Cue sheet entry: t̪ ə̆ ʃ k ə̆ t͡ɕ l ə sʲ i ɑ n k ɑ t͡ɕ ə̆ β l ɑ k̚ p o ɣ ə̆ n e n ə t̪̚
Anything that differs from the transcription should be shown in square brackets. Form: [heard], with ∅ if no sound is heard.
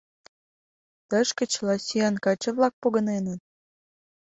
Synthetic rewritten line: t̪ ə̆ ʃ k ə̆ t͡ɕ l [ɑ] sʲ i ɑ n k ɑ t͡ɕ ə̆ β l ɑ k̚ p o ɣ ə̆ n e n ə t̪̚